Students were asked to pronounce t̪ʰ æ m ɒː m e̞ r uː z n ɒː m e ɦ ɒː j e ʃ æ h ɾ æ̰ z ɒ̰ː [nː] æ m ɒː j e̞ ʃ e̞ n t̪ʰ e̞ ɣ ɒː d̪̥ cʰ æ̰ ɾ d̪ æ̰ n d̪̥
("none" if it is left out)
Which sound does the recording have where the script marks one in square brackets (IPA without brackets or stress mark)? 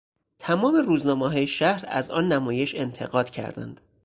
nː